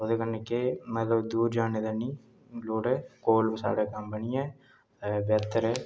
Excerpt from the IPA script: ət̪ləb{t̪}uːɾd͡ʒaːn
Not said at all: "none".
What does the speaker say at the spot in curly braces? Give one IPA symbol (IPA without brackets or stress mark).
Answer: d̪